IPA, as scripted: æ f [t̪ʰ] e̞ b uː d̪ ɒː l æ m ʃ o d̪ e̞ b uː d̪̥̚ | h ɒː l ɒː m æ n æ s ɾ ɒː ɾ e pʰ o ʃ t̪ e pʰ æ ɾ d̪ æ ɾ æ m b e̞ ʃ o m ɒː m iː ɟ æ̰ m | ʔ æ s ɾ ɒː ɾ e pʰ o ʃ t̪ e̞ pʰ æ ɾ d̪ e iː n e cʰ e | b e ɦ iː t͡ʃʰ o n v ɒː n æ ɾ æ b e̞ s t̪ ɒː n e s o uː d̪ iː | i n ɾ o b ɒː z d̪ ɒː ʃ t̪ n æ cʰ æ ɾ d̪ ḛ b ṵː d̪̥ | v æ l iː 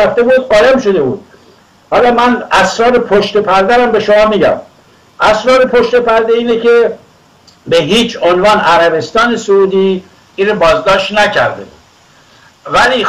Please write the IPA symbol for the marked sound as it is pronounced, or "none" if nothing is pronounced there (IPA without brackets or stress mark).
t̪